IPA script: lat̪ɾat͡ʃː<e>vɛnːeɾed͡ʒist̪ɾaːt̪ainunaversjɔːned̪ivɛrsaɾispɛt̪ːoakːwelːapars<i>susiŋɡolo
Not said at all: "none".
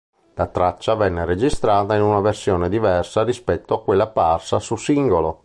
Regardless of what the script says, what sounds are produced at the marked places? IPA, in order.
a, a

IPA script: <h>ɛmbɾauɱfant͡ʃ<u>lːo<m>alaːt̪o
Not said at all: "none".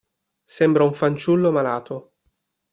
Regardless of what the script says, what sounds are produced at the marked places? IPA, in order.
s, u, m

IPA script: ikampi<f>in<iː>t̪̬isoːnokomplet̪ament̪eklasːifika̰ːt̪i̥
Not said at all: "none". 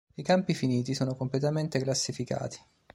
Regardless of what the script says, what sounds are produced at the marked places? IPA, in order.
f, iː

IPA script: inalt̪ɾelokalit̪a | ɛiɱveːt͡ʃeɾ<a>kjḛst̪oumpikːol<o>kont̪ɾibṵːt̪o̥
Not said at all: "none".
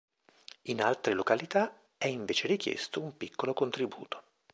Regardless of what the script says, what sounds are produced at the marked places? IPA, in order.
i, o

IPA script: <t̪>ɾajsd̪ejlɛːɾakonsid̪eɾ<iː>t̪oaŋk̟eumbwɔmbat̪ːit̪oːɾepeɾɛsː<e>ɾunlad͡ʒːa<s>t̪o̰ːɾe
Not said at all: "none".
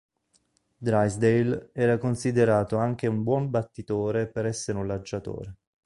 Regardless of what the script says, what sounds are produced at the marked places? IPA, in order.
d̪, aː, e, none

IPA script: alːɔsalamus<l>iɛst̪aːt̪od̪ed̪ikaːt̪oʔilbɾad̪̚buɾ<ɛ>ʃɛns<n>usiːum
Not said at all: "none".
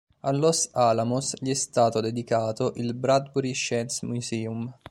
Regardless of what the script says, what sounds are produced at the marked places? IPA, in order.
ʎ, i, m

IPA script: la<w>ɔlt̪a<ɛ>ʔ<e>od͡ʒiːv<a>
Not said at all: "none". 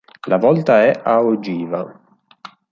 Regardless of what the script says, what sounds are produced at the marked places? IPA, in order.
v, ɛ, a, a

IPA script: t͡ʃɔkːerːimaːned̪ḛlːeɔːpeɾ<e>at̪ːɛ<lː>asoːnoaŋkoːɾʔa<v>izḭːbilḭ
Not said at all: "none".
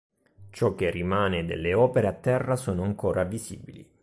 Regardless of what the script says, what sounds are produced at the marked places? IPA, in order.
e, rː, v

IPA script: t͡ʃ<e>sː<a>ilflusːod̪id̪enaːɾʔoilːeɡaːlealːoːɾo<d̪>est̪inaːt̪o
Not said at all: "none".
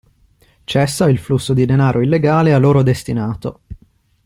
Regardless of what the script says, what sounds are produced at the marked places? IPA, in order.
ɛ, a, d̪

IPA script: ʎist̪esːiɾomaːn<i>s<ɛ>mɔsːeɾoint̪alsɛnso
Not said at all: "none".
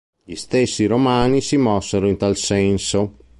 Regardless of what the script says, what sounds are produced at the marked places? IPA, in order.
i, i

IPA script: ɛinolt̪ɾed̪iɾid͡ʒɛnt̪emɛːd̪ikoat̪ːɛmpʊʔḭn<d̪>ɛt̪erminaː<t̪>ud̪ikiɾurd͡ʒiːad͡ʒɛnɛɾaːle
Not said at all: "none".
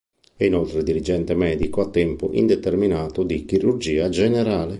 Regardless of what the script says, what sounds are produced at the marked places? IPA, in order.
d̪, t̪

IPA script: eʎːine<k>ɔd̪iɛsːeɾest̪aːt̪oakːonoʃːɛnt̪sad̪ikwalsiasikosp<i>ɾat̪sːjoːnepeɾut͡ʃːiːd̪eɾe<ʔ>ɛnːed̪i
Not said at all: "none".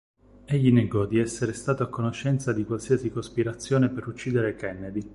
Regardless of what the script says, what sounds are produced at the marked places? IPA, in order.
ɡ, i, k

